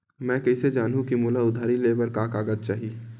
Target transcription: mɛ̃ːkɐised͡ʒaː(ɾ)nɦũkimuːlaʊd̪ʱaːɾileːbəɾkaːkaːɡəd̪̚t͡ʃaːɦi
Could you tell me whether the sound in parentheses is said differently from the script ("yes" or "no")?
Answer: yes